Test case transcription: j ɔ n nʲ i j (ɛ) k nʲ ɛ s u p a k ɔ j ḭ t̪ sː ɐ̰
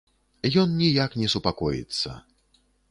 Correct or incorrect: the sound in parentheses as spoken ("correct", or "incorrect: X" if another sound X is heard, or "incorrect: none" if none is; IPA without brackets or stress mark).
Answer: incorrect: a